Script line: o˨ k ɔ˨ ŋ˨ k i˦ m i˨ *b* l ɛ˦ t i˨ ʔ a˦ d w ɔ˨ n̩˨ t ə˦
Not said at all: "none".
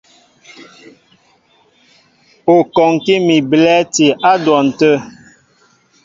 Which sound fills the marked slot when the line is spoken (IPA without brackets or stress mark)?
b